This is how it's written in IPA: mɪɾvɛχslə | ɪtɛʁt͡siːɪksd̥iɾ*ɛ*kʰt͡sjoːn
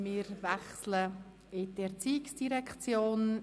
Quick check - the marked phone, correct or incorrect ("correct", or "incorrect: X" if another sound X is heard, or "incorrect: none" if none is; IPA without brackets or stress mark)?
correct